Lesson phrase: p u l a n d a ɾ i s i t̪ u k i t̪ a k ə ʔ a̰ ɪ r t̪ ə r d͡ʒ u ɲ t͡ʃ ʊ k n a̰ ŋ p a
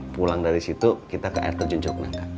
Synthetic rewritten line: p u l a ŋ d a ɾ i s i t̪ u k i t̪ a k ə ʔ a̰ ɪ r t̪ ə r d͡ʒ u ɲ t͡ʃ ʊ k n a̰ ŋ k a